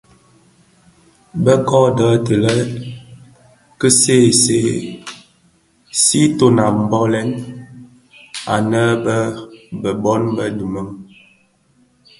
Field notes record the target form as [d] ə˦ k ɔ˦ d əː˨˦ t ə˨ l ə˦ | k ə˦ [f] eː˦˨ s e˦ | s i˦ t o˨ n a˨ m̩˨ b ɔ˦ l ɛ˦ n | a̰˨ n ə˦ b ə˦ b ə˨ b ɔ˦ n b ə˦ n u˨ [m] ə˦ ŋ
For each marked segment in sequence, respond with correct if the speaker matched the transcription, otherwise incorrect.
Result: incorrect, incorrect, correct

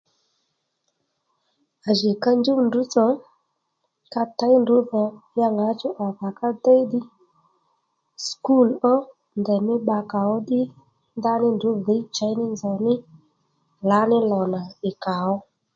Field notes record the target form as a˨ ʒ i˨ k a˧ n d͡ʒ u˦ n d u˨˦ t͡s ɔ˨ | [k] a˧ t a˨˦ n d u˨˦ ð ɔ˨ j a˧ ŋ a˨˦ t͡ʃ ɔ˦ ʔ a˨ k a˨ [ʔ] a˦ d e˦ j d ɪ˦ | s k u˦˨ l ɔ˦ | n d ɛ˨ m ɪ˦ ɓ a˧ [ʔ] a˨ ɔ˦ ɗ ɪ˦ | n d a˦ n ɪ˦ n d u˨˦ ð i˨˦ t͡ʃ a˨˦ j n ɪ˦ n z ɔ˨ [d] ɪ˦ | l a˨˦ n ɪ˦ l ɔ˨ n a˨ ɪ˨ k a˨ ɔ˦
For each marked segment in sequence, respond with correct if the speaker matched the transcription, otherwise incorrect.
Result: correct, incorrect, incorrect, incorrect

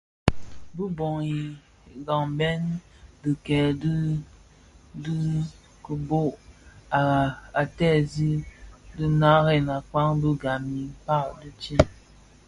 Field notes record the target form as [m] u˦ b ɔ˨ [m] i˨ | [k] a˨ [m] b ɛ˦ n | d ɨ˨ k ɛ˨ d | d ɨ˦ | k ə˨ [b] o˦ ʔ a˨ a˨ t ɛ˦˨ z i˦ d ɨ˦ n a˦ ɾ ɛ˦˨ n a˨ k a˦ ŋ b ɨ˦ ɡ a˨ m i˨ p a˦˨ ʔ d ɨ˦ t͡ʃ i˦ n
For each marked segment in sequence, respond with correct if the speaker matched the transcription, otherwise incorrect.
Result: incorrect, incorrect, incorrect, incorrect, correct

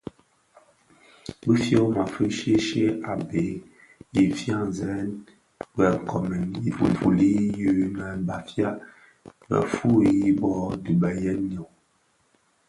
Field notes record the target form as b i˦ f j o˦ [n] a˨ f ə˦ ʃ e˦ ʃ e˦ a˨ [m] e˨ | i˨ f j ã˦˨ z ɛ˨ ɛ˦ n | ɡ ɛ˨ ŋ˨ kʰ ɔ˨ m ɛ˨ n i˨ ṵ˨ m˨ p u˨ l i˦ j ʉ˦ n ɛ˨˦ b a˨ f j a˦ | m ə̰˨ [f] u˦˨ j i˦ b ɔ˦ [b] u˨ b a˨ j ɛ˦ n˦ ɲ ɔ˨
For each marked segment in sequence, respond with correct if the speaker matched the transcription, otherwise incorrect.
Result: incorrect, incorrect, correct, incorrect

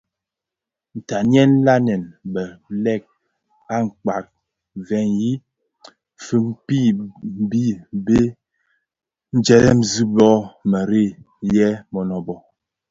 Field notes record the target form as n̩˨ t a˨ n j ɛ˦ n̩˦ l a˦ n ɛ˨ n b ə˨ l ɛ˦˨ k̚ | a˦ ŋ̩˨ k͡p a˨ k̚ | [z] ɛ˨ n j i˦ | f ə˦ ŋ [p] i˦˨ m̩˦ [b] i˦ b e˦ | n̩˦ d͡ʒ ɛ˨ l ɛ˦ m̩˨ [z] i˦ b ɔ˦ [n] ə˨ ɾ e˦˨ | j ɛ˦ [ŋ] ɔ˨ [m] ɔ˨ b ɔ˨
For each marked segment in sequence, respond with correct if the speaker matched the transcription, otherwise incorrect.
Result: incorrect, correct, correct, correct, incorrect, incorrect, incorrect

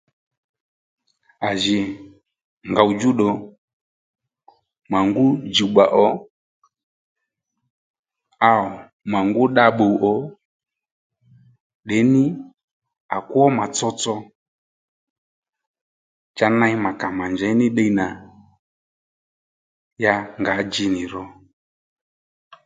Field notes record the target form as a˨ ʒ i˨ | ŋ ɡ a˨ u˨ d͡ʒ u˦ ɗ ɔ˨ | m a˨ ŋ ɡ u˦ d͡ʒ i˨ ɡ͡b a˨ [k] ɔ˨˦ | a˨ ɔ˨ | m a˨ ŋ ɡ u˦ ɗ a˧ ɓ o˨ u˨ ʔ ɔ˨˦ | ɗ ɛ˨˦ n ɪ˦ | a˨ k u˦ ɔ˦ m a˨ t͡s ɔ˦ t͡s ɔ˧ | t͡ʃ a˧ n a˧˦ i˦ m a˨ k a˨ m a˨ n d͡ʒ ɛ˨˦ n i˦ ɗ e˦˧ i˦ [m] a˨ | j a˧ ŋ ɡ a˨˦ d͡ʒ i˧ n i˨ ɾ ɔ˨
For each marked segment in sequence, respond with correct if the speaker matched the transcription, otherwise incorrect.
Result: incorrect, incorrect

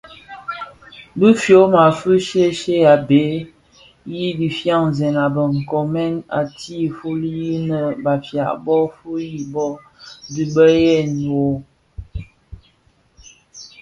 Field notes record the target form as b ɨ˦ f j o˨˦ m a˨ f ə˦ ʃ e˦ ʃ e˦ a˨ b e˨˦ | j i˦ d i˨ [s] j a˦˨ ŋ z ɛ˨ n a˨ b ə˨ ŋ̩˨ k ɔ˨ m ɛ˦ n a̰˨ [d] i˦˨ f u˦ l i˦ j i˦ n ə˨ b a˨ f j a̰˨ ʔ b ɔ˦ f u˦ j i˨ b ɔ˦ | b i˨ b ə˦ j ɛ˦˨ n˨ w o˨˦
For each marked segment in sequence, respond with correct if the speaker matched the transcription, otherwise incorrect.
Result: incorrect, incorrect

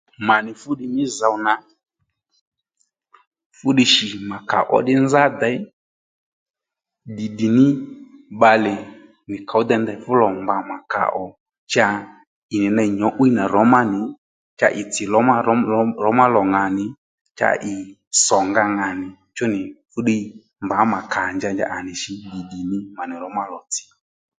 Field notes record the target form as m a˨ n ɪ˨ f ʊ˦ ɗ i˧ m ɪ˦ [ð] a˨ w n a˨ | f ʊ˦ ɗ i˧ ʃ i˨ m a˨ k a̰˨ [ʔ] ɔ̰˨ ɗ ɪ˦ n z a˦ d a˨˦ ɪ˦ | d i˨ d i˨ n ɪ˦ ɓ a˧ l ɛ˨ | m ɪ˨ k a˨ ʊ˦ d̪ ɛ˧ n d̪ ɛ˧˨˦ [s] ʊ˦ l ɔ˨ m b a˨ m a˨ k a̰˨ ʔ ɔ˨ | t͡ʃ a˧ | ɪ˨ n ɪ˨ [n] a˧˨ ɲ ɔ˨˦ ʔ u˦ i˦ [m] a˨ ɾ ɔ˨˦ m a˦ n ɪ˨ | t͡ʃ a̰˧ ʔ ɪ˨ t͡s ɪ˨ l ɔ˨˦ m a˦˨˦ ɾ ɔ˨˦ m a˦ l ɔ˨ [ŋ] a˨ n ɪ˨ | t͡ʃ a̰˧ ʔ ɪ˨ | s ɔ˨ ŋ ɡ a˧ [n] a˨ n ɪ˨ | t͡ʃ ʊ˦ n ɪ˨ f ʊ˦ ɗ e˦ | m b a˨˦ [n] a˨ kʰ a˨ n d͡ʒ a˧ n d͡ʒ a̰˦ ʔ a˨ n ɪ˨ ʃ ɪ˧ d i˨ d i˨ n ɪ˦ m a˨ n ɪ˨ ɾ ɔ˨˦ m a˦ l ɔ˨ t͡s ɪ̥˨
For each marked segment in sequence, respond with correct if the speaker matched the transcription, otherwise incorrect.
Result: incorrect, correct, incorrect, correct, incorrect, correct, incorrect, incorrect

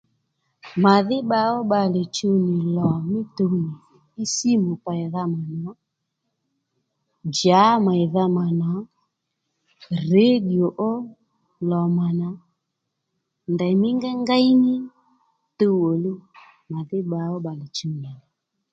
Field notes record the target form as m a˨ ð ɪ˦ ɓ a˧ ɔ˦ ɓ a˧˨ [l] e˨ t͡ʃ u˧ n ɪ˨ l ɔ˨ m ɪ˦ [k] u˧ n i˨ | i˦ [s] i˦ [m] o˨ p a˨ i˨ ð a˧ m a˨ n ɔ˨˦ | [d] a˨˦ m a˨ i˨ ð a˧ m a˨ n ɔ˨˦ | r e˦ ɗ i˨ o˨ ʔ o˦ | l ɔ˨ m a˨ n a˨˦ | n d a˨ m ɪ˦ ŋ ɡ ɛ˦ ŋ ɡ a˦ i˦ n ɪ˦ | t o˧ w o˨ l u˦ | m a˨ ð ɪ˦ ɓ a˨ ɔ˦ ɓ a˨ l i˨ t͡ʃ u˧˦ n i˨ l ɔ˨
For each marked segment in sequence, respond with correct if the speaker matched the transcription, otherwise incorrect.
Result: correct, incorrect, correct, correct, incorrect

